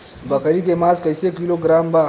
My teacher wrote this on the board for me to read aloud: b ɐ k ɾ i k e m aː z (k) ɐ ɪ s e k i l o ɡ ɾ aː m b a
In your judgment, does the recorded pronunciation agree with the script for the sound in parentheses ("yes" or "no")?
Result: yes